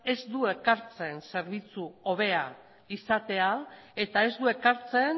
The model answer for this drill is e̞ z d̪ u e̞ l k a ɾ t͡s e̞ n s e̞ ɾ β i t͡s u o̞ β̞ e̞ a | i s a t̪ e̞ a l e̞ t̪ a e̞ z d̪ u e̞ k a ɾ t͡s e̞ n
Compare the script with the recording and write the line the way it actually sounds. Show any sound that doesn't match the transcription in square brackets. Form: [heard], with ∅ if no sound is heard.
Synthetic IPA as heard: e̞ z d̪ u e̞ [∅] k a ɾ t͡s e̞ n s e̞ ɾ β i t͡s u o̞ β̞ e̞ a | i s a t̪ e̞ a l e̞ t̪ a e̞ z d̪ u e̞ k a ɾ t͡s e̞ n